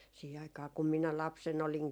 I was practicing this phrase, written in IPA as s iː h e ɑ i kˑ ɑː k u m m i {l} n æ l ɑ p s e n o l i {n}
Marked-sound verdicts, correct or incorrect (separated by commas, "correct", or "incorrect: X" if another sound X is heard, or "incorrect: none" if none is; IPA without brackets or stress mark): incorrect: none, incorrect: ŋ